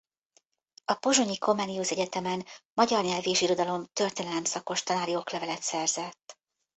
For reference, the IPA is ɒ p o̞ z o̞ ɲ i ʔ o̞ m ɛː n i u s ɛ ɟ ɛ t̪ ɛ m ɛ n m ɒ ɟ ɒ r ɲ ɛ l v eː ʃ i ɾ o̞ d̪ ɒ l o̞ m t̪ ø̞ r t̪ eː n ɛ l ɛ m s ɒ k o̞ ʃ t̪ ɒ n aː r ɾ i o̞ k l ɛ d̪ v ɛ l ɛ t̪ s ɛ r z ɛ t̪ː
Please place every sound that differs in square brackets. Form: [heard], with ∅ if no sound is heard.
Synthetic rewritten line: ɒ p o̞ [ʒ] o̞ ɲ i [k] o̞ m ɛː n i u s ɛ ɟ ɛ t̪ ɛ m ɛ n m ɒ ɟ ɒ r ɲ ɛ l v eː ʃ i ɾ o̞ d̪ ɒ l o̞ m t̪ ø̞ r t̪ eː n ɛ l ɛ m s ɒ k o̞ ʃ t̪ ɒ n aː [∅] ɾ i o̞ k l ɛ [∅] v ɛ l ɛ t̪ s ɛ r z ɛ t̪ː

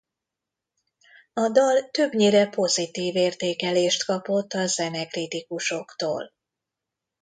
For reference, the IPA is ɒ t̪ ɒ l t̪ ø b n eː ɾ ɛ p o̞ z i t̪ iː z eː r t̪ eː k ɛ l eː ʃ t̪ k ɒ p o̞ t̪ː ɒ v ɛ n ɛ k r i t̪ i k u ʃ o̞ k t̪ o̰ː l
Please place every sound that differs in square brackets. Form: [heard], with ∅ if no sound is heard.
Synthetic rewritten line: ɒ [d̪] ɒ l t̪ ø b [ɲ] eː ɾ ɛ p o̞ z i t̪ iː [v] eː r t̪ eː k ɛ l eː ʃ t̪ k ɒ p o̞ t̪ː ɒ [z] ɛ n ɛ k r i t̪ i k u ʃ o̞ k t̪ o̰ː l

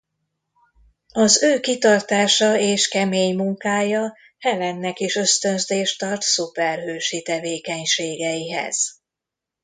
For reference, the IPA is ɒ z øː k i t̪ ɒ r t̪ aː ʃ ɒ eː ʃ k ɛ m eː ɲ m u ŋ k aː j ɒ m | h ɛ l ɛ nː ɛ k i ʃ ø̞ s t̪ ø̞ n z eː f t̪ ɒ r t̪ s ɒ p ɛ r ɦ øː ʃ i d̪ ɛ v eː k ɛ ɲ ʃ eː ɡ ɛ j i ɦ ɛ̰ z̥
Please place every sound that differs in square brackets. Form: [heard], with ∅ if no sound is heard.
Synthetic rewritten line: ɒ z øː k i t̪ ɒ r t̪ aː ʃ ɒ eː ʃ k ɛ m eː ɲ m u ŋ k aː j ɒ [∅] | h ɛ l ɛ nː ɛ k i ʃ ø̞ s t̪ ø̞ n z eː [ʃ] t̪ ɒ r t̪ s [u] p ɛ r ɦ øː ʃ i [t̪] ɛ v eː k ɛ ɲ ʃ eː ɡ ɛ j i ɦ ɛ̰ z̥

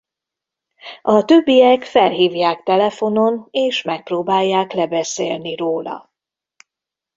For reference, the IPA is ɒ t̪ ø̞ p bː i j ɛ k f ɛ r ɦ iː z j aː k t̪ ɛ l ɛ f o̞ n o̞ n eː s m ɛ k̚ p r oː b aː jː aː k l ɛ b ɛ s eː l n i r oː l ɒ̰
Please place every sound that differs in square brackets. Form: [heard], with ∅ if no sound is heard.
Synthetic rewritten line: ɒ t̪ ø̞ [∅] bː i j ɛ k f ɛ [l] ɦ iː [v] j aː k t̪ ɛ l ɛ f o̞ n o̞ n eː [ʃ] m ɛ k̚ p r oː b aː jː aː k l ɛ b ɛ s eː l n i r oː l ɒ̰

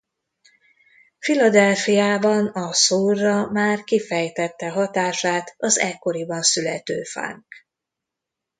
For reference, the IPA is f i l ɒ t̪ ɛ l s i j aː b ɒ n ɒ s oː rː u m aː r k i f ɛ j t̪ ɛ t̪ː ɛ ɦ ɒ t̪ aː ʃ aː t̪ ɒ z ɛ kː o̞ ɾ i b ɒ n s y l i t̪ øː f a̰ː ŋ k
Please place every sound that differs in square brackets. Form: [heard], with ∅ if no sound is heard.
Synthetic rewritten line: f i l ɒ [d̪] ɛ l [f] i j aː b ɒ n ɒ s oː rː [ɒ] m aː r k i f ɛ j t̪ ɛ t̪ː ɛ ɦ ɒ t̪ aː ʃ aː t̪ ɒ z ɛ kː o̞ ɾ i b ɒ n s y l [ɛ] t̪ øː f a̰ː ŋ k

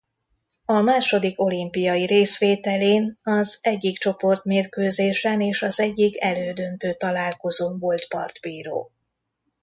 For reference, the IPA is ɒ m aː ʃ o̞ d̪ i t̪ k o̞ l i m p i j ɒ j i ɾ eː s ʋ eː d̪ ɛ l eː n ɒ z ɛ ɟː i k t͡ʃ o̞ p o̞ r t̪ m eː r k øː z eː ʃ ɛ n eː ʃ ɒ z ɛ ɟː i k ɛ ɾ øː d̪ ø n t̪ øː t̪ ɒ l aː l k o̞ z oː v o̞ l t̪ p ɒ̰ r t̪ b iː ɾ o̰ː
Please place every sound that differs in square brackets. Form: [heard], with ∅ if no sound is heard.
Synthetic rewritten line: ɒ m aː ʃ o̞ d̪ i [∅] k o̞ l i m p i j ɒ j i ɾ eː s ʋ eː [t̪] ɛ l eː n ɒ z ɛ ɟː i k t͡ʃ o̞ p o̞ r t̪ m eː r k øː z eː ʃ ɛ n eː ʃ ɒ z ɛ ɟː i k ɛ [l] øː d̪ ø n t̪ øː t̪ ɒ l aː l k o̞ z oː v o̞ l t̪ p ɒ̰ r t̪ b iː ɾ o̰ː

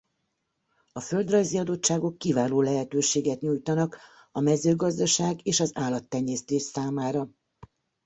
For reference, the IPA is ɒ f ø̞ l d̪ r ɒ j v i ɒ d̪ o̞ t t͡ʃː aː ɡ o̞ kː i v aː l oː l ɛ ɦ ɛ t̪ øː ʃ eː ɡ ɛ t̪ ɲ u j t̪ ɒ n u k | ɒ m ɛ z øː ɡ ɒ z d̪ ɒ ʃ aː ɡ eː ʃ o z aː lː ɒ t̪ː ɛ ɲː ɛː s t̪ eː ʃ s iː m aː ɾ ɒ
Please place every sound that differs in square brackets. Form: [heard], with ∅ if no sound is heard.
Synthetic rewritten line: ɒ f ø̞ l d̪ r ɒ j [z] i ɒ d̪ o̞ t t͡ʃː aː ɡ o̞ kː i v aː l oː l ɛ ɦ ɛ t̪ øː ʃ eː ɡ ɛ t̪ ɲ u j t̪ ɒ n [ɒ] k | ɒ m ɛ z øː ɡ ɒ z d̪ ɒ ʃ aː ɡ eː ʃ [ɒ] z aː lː ɒ t̪ː ɛ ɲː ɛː s t̪ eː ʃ s [aː] m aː ɾ ɒ

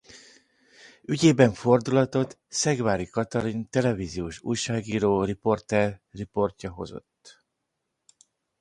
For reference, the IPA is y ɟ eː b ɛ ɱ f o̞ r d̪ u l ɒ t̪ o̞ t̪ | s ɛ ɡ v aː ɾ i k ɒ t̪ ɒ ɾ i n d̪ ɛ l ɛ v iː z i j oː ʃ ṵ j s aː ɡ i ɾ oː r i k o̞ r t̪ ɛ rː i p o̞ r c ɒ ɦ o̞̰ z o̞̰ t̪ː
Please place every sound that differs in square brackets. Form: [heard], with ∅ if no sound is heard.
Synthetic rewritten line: y ɟ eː b ɛ ɱ f o̞ r d̪ u l ɒ t̪ o̞ t̪ | s ɛ ɡ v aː ɾ i k ɒ t̪ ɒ ɾ i n [t̪] ɛ l ɛ v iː z i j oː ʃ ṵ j [ʃ] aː ɡ [iː] ɾ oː r i [p] o̞ r t̪ ɛ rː i p o̞ r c ɒ ɦ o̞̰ z o̞̰ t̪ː

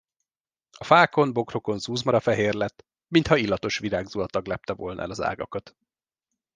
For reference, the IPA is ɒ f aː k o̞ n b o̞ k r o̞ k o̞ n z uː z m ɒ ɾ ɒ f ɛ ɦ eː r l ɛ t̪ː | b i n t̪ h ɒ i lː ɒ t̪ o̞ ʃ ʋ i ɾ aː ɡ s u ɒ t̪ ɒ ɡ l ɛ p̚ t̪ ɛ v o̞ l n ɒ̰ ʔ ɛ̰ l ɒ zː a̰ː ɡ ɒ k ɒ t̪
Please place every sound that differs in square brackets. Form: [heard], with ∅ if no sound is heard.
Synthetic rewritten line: ɒ f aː k o̞ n b o̞ k r o̞ k o̞ n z uː z m ɒ ɾ ɒ f ɛ ɦ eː r l ɛ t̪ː | [m] i n t̪ h ɒ i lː ɒ t̪ o̞ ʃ ʋ i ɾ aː ɡ [z] u ɒ t̪ ɒ ɡ l ɛ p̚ t̪ ɛ v o̞ l n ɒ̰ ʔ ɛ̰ l ɒ [z] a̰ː ɡ ɒ k ɒ t̪

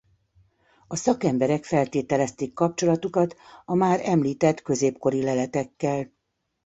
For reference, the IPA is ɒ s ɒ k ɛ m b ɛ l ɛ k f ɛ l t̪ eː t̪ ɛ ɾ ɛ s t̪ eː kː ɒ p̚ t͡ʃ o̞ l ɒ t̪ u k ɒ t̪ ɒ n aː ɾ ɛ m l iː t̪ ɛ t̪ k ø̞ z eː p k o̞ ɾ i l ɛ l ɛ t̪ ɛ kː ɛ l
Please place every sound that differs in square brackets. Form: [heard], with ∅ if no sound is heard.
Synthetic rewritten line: ɒ s ɒ k ɛ m b ɛ [ɾ] ɛ k f ɛ l t̪ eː t̪ ɛ [l] ɛ s t̪ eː kː ɒ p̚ t͡ʃ o̞ l ɒ t̪ u k ɒ t̪ ɒ [m] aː ɾ ɛ m l iː t̪ ɛ t̪ k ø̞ z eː p k o̞ ɾ i l ɛ l ɛ t̪ ɛ kː ɛ l

